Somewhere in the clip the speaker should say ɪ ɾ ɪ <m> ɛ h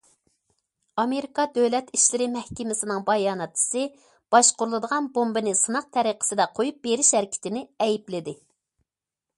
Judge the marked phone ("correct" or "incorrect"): correct